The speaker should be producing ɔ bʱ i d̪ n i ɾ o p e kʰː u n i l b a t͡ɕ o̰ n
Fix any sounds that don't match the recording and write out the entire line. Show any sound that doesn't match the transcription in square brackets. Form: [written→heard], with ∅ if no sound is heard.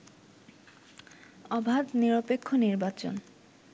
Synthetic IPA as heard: ɔ bʱ [i→a] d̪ n i ɾ o p e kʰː [u→o] n i [l→ɾ] b a t͡ɕ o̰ n